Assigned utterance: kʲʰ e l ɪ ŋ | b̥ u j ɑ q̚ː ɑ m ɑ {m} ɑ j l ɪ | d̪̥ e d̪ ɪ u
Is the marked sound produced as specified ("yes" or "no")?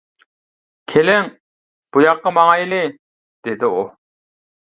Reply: no